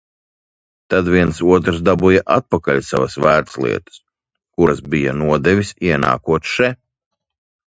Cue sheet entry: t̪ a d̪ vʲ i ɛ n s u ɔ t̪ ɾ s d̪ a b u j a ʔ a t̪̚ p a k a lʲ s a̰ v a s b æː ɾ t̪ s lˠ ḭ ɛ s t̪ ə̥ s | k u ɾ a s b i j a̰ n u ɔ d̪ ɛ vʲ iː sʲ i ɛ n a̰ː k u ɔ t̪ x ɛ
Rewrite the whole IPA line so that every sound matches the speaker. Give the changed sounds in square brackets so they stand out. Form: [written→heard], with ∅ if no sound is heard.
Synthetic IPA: t̪ a d̪ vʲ i ɛ n s u ɔ t̪ ɾ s d̪ a b u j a ʔ a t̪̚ p a k a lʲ s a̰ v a s [b→v] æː ɾ t̪ s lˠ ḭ ɛ [s→∅] t̪ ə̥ s | k u ɾ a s b i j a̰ n u ɔ d̪ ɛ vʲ [iː→i] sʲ i ɛ n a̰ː k u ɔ t̪ [x→ʃ] ɛ